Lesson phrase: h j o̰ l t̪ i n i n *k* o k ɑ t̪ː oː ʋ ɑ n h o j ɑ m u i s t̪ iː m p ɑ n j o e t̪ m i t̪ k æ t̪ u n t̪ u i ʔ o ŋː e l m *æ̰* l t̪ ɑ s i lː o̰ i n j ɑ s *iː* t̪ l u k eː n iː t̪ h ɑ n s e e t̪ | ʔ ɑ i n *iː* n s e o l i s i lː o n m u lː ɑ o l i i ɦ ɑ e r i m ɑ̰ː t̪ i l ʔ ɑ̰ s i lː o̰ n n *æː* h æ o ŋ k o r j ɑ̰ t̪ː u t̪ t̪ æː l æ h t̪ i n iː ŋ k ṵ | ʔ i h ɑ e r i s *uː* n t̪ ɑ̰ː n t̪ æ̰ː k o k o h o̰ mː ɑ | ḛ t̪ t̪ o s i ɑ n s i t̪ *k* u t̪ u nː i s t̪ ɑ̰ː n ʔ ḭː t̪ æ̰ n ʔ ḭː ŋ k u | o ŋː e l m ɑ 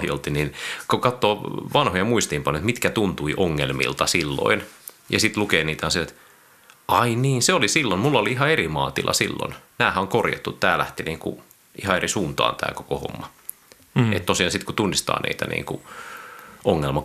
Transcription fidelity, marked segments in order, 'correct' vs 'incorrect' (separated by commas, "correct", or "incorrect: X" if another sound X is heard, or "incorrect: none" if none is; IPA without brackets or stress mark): correct, incorrect: ḭ, incorrect: i, correct, correct, correct, correct